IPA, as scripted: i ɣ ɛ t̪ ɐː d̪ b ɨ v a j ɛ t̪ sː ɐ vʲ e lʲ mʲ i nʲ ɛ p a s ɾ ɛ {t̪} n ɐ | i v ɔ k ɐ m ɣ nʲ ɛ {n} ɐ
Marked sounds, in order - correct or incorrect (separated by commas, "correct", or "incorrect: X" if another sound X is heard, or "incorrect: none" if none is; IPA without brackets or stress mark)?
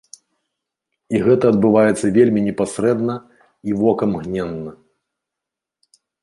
incorrect: d̪, incorrect: nː